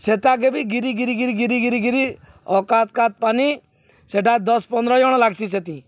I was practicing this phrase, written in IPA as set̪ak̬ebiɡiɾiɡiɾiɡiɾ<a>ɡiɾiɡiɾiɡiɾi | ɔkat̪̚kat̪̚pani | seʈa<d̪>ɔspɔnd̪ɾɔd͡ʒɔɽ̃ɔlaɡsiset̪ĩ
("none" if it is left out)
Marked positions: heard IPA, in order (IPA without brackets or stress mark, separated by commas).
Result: i, d̪